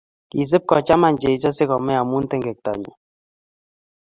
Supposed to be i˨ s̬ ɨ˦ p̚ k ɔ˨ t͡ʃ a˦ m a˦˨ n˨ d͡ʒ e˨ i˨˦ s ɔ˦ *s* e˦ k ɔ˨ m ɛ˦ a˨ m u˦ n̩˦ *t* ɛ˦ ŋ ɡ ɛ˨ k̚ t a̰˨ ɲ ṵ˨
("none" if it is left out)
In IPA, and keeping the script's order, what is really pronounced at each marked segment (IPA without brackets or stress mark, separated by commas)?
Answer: s, t